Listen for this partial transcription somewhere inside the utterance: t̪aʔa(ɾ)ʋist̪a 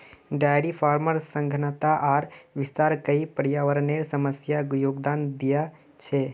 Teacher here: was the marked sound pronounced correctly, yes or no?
yes